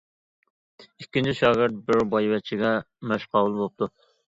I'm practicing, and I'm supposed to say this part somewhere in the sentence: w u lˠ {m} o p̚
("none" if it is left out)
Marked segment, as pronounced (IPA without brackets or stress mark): b